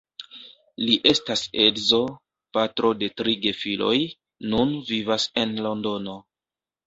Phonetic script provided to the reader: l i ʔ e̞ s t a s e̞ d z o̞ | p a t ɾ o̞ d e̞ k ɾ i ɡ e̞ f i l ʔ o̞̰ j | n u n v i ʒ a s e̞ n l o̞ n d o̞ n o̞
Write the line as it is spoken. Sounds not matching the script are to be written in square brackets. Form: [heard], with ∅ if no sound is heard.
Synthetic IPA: l i ʔ e̞ s t a s e̞ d z o̞ | p a t ɾ o̞ d e̞ [t] ɾ i ɡ e̞ f i l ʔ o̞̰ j | n u n v i [v] a s e̞ n l o̞ n d o̞ n o̞